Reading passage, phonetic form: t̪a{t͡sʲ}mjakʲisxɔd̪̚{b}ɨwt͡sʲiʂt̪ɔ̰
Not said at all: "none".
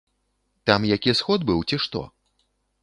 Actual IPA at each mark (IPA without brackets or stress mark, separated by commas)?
none, b